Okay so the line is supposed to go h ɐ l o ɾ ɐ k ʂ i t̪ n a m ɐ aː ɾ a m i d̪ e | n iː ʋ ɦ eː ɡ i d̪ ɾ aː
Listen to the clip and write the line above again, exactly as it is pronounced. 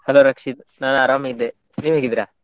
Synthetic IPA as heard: h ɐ l o ɾ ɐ k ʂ i t̪ n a n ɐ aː ɾ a m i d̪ e | n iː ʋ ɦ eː ɡ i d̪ ɾ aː